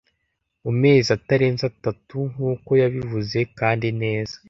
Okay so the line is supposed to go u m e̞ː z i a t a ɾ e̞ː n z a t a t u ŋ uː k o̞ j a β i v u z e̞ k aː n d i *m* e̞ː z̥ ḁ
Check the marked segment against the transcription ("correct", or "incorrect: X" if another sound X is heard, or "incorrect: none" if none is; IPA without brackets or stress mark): incorrect: n